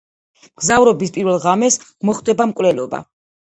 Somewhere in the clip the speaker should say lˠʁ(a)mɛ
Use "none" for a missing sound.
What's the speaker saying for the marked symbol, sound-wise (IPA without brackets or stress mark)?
a